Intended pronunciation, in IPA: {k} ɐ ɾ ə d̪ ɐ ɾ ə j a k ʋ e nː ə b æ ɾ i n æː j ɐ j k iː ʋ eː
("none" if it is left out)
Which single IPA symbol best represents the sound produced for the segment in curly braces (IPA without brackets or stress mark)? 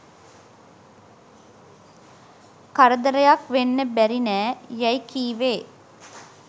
k